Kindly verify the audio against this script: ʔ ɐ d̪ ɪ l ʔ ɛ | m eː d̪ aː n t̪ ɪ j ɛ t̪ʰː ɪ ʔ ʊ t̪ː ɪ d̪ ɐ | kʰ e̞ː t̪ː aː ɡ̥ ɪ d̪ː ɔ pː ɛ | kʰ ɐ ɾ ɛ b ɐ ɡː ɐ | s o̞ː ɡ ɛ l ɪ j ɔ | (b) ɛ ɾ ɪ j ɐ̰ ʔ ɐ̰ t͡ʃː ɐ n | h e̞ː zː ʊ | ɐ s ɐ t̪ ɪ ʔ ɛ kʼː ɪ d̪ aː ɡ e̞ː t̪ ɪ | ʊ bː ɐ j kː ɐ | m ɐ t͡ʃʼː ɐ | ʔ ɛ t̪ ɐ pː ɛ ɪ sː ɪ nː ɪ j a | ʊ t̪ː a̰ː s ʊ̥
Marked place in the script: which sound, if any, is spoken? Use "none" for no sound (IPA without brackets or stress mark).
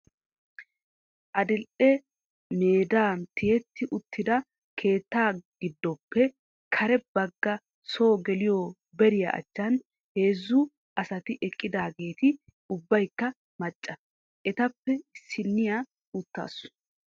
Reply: b